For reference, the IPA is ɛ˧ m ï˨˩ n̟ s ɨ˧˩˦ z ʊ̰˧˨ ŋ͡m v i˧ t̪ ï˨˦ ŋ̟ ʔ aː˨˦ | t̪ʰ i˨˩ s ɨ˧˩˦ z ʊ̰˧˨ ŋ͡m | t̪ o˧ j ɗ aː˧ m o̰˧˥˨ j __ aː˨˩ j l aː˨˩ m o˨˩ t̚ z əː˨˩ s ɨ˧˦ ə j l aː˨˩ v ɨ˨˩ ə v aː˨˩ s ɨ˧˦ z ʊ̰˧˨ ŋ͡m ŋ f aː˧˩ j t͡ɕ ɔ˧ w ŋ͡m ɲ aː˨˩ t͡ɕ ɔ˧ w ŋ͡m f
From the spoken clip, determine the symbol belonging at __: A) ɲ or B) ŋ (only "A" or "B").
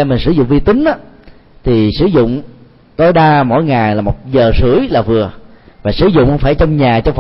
B